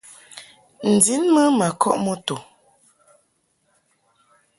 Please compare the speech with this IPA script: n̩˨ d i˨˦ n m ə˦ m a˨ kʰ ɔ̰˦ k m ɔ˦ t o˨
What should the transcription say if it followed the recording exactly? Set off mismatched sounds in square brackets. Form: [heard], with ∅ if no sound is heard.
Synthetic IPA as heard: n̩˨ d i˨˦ n m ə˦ m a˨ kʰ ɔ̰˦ [ʔ] m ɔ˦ t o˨

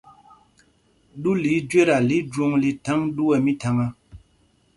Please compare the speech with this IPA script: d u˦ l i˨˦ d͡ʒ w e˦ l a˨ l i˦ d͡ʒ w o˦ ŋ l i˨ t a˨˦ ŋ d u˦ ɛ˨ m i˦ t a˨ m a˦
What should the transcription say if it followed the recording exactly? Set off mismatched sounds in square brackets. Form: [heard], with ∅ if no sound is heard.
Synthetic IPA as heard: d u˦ l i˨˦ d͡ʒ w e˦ [ɾ] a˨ l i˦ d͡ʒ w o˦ ŋ l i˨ t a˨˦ ŋ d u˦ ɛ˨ m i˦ t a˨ [ŋ] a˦

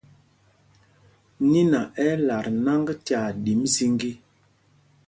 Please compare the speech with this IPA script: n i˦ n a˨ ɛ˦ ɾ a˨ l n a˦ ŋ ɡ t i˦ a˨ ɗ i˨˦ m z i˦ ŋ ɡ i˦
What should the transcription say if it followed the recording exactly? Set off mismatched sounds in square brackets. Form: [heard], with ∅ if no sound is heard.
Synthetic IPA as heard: n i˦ n a˨ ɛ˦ [l] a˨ [ɾ] n a˦ ŋ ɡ t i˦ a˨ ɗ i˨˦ m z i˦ ŋ ɡ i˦

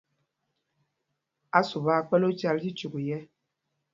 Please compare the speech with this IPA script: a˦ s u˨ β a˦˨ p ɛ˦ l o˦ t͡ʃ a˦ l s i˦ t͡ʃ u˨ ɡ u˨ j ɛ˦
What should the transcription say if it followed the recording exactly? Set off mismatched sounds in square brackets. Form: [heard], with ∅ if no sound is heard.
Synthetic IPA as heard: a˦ s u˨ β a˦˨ [k͡p] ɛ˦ l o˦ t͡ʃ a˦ l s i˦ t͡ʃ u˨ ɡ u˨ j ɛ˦

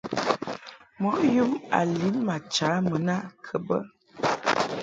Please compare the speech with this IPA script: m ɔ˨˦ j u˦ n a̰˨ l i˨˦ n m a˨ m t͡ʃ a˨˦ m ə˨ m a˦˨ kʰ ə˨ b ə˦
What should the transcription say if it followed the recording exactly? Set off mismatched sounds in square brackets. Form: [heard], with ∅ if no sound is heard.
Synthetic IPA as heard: m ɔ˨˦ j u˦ [m] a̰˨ l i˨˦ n m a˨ [∅] t͡ʃ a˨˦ m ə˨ [n] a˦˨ kʰ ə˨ b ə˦

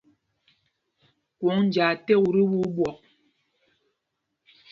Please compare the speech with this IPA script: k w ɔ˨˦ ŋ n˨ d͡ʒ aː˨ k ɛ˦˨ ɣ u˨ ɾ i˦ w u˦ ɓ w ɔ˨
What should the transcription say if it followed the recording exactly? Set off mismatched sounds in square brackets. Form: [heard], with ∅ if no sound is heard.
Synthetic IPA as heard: k w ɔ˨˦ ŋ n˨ d͡ʒ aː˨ [t] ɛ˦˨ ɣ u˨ ɾ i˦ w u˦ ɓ w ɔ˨

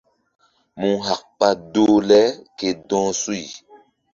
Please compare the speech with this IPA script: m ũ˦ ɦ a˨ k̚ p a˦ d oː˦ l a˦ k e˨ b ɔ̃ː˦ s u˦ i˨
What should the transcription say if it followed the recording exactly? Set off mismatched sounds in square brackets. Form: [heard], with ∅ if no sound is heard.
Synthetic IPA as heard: m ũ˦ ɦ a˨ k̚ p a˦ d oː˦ l [ɛ˦] k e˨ [d] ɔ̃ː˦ s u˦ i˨

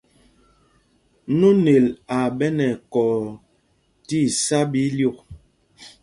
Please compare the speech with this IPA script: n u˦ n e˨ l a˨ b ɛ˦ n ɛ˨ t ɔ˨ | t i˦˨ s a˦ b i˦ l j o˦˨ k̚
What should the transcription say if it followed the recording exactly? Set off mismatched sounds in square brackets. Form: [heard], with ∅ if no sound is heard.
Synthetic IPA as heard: n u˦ n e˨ l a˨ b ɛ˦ n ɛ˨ [k] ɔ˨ | t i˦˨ s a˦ b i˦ l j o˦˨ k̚

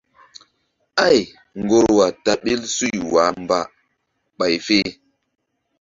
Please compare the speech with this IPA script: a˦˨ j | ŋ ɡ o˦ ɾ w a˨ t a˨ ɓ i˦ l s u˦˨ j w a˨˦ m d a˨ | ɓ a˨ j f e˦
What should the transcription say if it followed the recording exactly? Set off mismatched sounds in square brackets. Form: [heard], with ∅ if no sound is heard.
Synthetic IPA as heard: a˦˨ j | ŋ ɡ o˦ ɾ w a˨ t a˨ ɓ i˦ l s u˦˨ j w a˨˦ m [b] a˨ | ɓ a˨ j f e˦

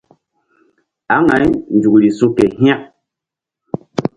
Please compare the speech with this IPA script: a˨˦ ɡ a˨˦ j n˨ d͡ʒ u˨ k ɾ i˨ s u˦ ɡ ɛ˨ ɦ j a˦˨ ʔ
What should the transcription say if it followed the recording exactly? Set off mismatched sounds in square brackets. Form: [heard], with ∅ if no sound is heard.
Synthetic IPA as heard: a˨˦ [ŋ] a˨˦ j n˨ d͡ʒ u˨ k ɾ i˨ s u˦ [k] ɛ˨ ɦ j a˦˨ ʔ

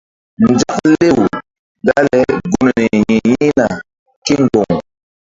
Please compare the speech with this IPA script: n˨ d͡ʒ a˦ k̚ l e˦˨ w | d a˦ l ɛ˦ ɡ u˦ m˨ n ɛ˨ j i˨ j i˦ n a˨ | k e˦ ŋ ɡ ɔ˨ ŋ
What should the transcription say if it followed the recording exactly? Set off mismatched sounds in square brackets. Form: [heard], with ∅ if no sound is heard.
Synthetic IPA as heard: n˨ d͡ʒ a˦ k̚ l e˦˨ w | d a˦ l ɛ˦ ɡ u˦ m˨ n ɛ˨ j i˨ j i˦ n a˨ | k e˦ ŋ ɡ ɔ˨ ŋ

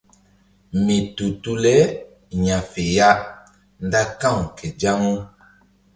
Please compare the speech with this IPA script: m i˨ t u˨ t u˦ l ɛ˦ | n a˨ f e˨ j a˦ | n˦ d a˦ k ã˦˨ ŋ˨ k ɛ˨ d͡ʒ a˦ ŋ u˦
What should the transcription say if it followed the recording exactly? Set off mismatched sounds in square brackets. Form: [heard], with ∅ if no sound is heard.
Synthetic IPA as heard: m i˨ t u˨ t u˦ l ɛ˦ | [ɲ] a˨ f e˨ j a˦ | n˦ d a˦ k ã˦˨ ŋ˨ k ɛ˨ d͡ʒ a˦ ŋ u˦

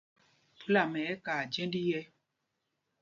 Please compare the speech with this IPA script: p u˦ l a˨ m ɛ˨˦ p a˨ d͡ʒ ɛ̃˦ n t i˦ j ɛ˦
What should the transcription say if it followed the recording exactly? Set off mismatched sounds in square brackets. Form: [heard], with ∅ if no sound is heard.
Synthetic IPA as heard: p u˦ l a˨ m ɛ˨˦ [k] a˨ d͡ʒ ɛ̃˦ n [d] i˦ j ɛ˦

